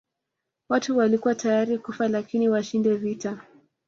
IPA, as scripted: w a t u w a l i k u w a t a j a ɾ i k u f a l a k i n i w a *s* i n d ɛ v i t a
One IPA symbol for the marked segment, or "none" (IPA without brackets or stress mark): ʃ